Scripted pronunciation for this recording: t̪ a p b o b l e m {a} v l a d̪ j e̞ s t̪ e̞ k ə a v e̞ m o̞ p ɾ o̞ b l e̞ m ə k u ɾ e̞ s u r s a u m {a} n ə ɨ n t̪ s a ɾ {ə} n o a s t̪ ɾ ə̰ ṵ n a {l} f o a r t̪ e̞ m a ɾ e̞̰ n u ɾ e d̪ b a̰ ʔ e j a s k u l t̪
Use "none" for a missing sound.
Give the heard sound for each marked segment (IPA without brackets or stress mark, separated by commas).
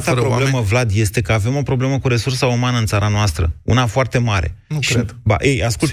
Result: ə, a, a, none